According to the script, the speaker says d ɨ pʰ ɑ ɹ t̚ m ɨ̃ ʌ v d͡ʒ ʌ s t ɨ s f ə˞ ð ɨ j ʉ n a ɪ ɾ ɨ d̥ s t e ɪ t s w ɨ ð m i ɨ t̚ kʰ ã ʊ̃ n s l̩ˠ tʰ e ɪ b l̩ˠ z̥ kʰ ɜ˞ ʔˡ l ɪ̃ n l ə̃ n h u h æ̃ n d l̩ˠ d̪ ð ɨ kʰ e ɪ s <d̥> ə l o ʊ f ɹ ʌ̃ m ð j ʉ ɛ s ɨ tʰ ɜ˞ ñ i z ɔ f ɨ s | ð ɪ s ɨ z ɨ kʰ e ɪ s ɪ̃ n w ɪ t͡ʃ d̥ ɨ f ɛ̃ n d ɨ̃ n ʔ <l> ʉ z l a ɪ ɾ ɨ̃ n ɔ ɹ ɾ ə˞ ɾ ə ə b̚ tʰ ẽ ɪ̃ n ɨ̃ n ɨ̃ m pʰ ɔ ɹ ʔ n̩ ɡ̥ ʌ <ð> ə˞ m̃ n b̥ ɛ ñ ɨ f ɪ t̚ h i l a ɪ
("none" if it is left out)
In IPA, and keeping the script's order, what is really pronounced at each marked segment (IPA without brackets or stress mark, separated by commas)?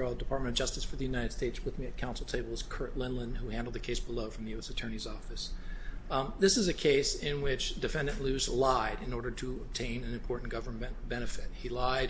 b̥, l, v